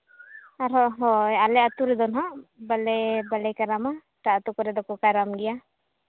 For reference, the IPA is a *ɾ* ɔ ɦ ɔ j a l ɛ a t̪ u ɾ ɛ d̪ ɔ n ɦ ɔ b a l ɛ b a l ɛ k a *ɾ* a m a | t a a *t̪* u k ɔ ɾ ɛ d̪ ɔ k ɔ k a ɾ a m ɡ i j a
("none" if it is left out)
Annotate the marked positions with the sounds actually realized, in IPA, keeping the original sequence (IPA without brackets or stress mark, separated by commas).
ɾ, ɾ, t̪